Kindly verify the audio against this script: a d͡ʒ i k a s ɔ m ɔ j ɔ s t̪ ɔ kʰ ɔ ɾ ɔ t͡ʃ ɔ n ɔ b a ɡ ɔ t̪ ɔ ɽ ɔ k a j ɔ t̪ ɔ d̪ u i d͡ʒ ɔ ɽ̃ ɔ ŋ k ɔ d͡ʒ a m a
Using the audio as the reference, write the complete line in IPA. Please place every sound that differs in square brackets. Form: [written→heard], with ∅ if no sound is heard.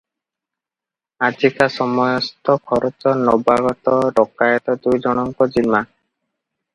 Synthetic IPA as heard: a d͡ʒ i k a s ɔ m ɔ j ɔ s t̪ ɔ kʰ ɔ ɾ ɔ t͡ʃ ɔ n ɔ b a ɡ ɔ t̪ ɔ [ɽ→ɾ] ɔ k a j ɔ t̪ ɔ d̪ u [i→j] d͡ʒ ɔ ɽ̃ ɔ ŋ k ɔ d͡ʒ [a→i] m a